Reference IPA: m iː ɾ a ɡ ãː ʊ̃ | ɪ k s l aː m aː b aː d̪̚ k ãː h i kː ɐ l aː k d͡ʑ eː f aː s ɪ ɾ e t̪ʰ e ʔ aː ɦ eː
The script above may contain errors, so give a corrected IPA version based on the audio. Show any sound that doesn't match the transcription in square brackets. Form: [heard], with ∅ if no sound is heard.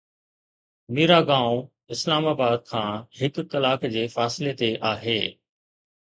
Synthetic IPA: m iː ɾ a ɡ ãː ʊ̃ | ɪ [∅] s l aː m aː b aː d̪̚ [kʰ] ãː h [ɪ] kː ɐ l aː k d͡ʑ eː f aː s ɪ [l] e [t̪] e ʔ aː ɦ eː